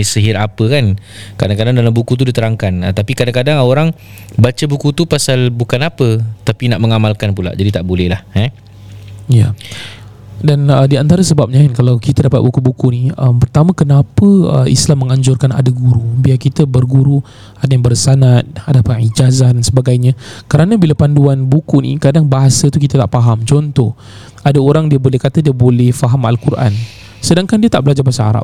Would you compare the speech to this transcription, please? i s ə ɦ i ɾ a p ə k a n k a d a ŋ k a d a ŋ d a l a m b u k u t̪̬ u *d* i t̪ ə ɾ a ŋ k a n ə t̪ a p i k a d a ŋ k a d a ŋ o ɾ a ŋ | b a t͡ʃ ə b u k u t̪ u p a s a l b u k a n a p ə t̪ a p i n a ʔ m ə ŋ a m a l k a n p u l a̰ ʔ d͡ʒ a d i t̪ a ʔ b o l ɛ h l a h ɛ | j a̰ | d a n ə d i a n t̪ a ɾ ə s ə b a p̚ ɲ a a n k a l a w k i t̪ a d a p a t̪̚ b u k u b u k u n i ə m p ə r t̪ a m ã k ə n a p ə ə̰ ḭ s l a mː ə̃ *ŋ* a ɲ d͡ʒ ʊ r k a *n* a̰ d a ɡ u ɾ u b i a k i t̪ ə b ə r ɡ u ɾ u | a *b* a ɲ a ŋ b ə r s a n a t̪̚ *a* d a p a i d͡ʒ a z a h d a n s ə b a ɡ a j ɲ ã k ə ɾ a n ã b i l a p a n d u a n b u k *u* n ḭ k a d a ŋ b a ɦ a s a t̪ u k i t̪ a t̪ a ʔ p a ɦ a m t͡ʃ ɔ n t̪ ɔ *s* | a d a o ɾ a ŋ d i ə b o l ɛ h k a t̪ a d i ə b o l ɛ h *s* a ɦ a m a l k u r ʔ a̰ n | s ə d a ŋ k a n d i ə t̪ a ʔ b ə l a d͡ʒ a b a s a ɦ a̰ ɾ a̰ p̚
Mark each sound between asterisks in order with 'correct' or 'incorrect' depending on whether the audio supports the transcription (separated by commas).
correct, correct, correct, incorrect, correct, correct, incorrect, incorrect